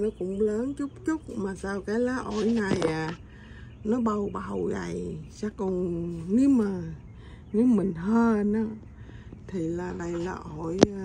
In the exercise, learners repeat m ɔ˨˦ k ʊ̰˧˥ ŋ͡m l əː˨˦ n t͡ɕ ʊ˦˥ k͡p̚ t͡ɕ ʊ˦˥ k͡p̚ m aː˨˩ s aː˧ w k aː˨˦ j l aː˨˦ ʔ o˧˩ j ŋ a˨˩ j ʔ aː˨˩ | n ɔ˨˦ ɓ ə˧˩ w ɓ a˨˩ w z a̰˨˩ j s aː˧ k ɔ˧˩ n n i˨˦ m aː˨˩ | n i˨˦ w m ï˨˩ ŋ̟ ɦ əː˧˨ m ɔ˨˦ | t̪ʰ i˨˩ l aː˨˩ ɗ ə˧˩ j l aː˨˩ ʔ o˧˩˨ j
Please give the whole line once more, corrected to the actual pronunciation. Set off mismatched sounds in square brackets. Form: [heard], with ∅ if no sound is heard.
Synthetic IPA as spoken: [n] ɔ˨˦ k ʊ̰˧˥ ŋ͡m l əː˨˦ n t͡ɕ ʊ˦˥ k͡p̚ t͡ɕ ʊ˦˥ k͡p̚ m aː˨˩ s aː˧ w k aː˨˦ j l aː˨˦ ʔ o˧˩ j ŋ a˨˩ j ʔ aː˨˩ | n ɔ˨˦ ɓ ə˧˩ w ɓ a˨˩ w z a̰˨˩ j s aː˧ k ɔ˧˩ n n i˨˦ m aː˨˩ | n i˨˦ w m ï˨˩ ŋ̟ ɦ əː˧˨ [n] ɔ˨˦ | t̪ʰ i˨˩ l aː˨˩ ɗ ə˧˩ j l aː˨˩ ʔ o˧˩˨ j